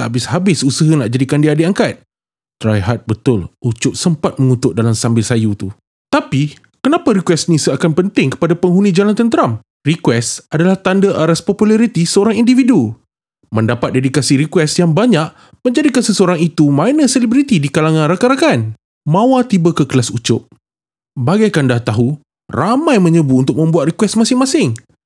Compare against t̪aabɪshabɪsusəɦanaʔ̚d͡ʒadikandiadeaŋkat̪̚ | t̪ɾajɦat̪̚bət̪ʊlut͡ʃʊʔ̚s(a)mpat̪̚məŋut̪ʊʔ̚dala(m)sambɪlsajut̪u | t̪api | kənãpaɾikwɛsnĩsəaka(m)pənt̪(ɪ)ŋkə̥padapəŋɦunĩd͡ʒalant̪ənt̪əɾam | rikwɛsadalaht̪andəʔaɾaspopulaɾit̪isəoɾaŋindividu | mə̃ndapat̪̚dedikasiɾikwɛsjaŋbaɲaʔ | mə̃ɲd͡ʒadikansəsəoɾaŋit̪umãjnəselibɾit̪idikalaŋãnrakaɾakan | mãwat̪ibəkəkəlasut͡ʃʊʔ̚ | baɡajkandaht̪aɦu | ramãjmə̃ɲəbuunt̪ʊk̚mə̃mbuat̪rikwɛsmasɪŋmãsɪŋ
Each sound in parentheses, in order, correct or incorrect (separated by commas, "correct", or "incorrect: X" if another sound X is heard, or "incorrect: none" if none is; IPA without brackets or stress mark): incorrect: ə, correct, incorrect: n, correct